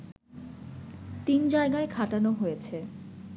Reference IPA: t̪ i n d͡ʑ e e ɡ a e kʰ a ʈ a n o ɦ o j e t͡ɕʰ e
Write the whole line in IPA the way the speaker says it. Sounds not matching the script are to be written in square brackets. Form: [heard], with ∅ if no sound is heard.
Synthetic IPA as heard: t̪ i n d͡ʑ [a] e ɡ a e kʰ a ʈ a n o ɦ o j e t͡ɕʰ e